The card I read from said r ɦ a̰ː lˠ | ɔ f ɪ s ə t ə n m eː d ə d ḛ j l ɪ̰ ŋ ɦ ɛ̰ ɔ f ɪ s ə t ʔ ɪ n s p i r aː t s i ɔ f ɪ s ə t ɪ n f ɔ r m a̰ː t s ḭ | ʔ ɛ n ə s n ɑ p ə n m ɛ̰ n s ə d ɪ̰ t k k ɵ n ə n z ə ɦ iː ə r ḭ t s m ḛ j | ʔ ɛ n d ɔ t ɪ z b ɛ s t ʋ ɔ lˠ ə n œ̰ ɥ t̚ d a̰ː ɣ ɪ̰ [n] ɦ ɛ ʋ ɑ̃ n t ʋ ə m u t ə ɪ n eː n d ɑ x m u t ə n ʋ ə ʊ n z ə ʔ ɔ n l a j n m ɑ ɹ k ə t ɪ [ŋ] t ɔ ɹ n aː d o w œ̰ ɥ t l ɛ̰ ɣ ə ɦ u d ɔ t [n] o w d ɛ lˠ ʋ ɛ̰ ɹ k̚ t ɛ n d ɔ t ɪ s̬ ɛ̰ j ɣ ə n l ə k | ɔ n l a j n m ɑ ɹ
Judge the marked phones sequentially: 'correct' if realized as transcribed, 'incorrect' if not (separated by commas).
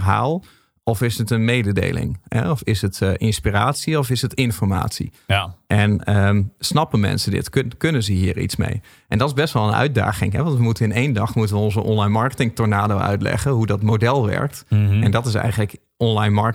incorrect, correct, incorrect